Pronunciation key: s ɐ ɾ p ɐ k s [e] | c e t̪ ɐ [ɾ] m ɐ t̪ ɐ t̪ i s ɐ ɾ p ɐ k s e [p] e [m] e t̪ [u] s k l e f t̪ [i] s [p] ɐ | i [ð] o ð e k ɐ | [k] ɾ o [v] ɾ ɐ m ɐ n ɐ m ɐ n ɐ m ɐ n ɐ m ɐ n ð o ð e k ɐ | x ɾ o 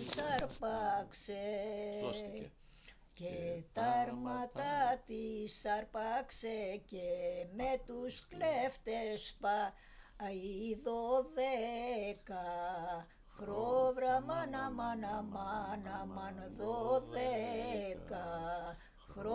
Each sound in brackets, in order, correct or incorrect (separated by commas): correct, correct, incorrect, correct, correct, incorrect, correct, correct, incorrect, correct